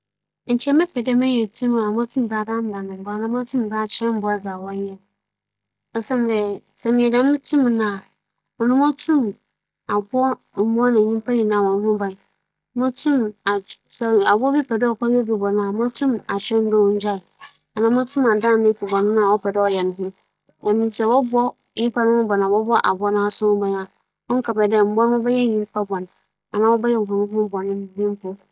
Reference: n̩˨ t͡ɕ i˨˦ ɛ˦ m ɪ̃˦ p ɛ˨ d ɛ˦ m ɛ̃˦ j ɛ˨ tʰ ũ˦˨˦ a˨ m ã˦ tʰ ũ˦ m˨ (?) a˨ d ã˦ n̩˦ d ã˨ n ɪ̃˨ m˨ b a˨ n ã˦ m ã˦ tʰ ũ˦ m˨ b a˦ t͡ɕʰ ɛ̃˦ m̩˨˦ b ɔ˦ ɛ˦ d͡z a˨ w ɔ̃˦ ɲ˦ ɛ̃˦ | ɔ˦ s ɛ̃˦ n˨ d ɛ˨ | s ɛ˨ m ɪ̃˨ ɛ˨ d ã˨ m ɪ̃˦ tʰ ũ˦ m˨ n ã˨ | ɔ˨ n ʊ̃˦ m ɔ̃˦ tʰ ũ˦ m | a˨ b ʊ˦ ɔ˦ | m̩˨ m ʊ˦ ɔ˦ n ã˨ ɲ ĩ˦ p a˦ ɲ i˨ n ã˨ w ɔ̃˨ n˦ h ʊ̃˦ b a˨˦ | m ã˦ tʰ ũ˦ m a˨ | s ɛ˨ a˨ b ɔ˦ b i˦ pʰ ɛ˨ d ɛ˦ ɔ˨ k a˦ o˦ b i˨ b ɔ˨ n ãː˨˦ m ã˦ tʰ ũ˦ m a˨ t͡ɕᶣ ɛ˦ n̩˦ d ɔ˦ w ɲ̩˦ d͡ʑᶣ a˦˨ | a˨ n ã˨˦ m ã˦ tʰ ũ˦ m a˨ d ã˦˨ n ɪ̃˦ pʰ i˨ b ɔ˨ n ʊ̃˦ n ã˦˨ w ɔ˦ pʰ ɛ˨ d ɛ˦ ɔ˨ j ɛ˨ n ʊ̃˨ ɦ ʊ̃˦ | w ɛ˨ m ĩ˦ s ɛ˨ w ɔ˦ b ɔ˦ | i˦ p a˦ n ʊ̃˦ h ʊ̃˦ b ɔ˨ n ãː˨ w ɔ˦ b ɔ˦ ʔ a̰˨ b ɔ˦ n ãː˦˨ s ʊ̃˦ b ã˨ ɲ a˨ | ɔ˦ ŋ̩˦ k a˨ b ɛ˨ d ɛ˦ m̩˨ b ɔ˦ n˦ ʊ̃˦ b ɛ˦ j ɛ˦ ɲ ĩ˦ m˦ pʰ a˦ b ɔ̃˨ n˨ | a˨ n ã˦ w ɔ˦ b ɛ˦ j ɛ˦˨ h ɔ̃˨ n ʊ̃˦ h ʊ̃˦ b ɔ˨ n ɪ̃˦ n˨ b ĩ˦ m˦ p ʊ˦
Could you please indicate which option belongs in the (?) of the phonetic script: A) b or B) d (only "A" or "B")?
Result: A